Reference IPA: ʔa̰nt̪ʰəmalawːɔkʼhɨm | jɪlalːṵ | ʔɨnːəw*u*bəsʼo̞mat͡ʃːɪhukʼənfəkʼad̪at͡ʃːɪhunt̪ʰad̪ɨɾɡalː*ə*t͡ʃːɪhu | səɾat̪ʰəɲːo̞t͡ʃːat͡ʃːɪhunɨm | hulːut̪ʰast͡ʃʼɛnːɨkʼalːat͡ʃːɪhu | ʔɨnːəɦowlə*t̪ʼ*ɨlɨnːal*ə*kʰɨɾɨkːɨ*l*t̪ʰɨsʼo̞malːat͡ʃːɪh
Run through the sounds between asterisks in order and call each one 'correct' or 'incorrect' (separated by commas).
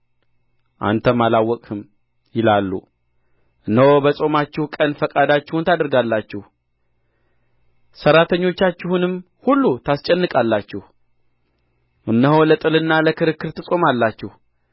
incorrect, incorrect, correct, correct, incorrect